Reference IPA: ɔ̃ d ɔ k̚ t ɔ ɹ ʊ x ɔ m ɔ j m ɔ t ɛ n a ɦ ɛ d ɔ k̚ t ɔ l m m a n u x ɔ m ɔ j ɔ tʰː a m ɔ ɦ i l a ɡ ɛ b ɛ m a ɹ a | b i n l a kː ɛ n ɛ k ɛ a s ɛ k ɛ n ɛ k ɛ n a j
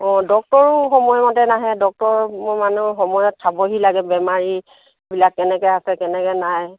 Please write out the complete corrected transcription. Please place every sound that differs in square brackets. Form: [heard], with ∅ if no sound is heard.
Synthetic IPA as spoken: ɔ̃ d ɔ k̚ t ɔ ɹ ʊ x ɔ m ɔ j m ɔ t ɛ n a ɦ ɛ d ɔ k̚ t ɔ [ɹ] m m a n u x ɔ m ɔ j ɔ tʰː a [b] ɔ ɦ i l a ɡ ɛ b ɛ m a ɹ [i] | b i [∅] l a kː ɛ n ɛ k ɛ a s ɛ k ɛ n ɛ k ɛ n a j